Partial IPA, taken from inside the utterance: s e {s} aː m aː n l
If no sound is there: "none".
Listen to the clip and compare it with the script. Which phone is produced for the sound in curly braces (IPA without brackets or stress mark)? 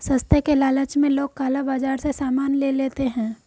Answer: s